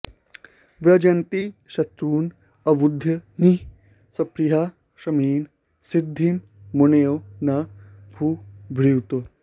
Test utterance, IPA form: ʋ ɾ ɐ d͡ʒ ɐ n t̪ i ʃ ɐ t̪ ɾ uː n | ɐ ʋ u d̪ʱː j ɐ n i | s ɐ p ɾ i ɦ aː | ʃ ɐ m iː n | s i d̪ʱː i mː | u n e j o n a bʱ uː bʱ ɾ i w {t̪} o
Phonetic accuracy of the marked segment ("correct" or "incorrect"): correct